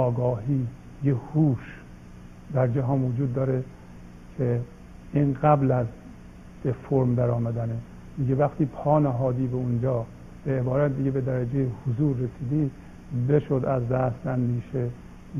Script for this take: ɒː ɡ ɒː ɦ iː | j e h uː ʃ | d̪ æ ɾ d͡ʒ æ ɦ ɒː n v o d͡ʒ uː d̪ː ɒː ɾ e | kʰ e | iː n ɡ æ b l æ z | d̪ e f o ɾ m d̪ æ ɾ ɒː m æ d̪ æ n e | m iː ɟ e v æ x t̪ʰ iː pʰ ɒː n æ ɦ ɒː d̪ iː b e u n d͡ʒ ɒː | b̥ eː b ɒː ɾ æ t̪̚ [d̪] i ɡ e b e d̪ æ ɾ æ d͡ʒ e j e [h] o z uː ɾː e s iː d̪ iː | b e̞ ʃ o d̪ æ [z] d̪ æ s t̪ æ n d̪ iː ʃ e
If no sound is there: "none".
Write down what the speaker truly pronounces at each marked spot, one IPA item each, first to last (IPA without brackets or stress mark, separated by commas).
d̪, h, z